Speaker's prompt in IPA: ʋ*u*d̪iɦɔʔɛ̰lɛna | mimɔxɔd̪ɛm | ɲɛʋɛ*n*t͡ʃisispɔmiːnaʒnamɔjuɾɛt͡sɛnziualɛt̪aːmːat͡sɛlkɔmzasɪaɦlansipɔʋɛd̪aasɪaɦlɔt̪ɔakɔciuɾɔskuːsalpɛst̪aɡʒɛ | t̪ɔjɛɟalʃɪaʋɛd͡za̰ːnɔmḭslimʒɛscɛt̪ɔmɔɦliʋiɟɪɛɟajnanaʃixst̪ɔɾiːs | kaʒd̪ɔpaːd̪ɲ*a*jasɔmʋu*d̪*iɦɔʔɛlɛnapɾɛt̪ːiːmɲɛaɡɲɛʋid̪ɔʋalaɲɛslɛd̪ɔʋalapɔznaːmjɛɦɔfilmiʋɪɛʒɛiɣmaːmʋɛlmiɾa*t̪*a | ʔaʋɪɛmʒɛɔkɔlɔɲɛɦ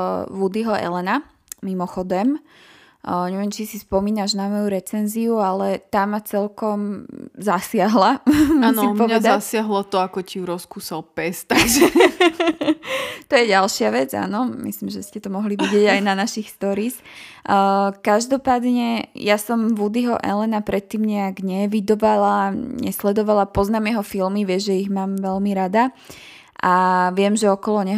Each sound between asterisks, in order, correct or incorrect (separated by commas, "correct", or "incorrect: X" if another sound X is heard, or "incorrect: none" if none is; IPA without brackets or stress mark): correct, incorrect: m, incorrect: ɛ, correct, incorrect: d̪